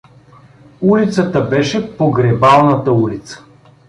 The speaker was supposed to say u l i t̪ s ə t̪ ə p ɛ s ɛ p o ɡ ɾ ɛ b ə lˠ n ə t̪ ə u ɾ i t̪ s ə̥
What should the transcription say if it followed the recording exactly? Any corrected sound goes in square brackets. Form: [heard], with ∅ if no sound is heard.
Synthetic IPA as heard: u l i t̪ s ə t̪ ə [b] ɛ [ʃ] ɛ p o ɡ ɾ ɛ b [a] lˠ n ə t̪ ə u [l] i t̪ s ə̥